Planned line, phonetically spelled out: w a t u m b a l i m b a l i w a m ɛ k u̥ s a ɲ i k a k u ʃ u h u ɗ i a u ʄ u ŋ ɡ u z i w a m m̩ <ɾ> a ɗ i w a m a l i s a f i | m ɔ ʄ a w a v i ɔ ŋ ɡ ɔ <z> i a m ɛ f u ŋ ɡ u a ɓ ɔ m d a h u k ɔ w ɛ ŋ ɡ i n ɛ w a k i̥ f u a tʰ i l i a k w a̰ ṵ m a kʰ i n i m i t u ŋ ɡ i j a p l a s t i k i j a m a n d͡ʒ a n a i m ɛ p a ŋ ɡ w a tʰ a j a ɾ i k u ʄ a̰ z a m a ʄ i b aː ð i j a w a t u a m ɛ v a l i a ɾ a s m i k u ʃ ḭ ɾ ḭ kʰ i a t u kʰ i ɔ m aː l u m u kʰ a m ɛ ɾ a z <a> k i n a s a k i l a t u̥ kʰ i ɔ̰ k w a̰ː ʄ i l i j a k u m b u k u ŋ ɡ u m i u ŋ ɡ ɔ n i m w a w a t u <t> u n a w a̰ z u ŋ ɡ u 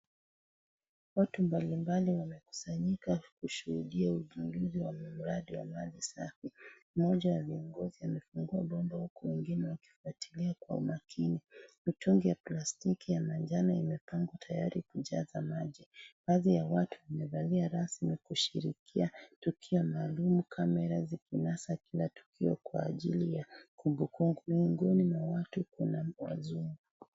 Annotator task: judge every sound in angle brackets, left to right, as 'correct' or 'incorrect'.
correct, correct, incorrect, incorrect

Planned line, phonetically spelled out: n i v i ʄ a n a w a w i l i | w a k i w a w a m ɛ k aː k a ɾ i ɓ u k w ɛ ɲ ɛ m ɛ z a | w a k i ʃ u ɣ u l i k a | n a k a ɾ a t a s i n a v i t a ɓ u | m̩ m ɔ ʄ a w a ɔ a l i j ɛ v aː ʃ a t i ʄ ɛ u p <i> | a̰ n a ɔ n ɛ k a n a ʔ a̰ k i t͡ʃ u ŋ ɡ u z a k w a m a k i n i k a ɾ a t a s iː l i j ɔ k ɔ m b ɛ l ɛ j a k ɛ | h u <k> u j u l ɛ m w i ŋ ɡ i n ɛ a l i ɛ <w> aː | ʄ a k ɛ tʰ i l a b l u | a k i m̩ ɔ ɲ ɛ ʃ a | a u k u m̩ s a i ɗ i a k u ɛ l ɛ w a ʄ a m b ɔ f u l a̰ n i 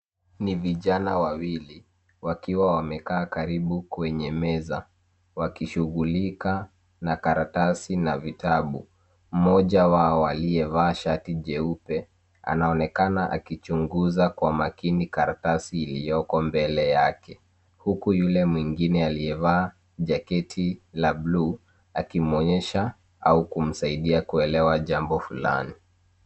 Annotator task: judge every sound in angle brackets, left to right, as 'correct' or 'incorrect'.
incorrect, correct, incorrect

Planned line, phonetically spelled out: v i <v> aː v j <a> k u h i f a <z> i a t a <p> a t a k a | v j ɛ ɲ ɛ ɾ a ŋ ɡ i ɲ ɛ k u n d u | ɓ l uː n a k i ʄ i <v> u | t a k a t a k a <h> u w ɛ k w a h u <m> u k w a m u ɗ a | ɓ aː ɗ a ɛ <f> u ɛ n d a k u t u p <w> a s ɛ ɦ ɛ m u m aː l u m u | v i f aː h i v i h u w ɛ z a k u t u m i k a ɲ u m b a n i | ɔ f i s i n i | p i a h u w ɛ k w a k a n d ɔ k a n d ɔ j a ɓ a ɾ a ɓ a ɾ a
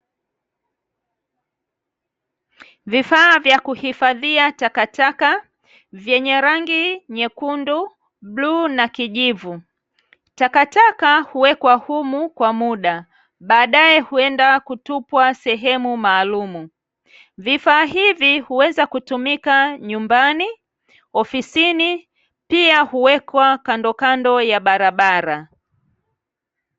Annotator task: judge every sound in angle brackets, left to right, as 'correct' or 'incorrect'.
incorrect, correct, incorrect, incorrect, correct, correct, correct, incorrect, correct

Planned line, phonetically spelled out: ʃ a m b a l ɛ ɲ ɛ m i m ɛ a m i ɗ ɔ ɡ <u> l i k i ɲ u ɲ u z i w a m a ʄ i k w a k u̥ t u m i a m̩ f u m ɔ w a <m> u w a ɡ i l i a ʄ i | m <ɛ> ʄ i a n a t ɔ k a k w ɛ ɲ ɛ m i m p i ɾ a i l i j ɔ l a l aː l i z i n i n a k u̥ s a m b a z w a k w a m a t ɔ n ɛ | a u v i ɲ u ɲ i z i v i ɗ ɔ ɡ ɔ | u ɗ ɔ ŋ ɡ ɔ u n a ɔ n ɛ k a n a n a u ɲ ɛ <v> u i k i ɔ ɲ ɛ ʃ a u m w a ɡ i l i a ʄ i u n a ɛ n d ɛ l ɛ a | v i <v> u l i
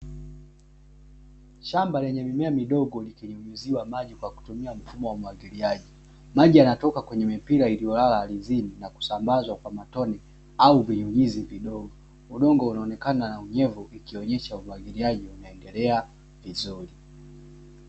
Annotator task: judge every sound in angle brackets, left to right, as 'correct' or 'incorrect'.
incorrect, correct, incorrect, correct, incorrect

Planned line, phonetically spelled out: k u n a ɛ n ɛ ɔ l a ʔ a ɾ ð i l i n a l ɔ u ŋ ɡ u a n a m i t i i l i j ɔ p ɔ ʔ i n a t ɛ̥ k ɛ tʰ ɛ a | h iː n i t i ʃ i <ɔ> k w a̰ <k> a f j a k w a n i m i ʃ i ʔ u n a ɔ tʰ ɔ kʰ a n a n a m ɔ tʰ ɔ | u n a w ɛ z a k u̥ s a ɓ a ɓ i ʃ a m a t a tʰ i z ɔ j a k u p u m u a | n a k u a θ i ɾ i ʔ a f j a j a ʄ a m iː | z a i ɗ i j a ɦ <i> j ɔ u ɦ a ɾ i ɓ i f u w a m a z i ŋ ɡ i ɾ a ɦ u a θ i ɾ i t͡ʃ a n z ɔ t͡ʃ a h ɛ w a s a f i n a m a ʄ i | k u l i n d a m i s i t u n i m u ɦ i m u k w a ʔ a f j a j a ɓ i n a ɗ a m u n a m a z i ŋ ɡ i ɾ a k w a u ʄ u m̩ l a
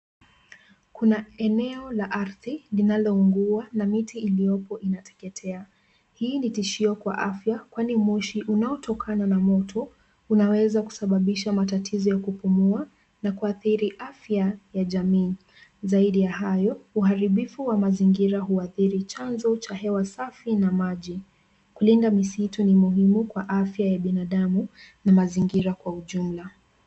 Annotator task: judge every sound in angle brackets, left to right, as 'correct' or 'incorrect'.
correct, incorrect, incorrect

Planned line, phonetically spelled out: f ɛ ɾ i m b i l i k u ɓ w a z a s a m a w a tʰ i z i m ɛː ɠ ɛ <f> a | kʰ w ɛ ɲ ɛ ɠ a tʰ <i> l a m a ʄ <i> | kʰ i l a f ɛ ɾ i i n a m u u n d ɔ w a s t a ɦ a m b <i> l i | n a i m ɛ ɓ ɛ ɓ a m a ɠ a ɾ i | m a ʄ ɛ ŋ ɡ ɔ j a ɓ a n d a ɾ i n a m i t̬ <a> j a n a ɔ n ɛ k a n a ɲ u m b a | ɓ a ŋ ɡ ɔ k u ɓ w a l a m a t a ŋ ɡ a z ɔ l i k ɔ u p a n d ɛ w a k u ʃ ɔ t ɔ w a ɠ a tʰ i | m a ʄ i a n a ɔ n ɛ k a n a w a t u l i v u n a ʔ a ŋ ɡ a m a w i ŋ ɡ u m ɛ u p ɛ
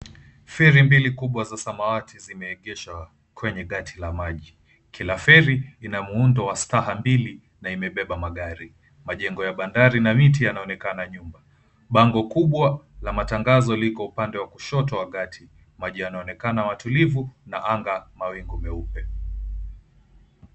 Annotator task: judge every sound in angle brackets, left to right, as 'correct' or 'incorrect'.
incorrect, correct, correct, correct, incorrect

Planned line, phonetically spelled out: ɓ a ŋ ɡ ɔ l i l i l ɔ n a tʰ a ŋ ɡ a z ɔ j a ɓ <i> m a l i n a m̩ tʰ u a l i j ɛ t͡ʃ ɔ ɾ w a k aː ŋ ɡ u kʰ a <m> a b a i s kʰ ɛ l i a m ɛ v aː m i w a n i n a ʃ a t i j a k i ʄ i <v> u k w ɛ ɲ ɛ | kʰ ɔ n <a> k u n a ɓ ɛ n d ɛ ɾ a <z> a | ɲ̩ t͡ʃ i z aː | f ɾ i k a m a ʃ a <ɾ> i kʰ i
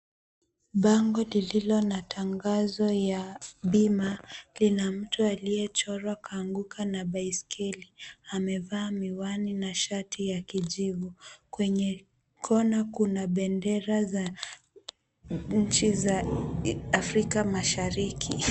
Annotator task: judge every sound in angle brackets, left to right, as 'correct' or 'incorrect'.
correct, incorrect, correct, correct, correct, correct

